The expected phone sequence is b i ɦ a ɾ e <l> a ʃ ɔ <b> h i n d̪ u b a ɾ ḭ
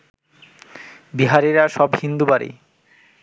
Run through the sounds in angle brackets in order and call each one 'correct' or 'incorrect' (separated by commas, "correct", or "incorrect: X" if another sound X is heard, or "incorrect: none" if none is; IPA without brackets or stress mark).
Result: incorrect: ɾ, correct